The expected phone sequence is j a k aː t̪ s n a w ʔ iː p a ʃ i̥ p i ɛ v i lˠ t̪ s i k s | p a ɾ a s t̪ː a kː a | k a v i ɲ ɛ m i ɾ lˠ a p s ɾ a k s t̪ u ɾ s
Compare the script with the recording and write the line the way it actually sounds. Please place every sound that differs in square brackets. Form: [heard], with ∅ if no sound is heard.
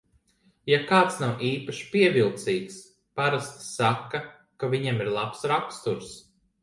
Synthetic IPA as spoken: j a k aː t̪ s n a w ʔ iː p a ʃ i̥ p i ɛ v i lˠ t̪ s [iː] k s | p a ɾ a s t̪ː a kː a | k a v i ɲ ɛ m i ɾ lˠ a p s ɾ a k s t̪ u ɾ s